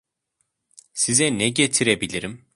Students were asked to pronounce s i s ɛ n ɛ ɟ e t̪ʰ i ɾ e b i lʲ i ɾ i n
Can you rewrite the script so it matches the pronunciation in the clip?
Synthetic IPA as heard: s i z ɛ n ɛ ɟ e t̪ʰ i ɾ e b i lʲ i ɾ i m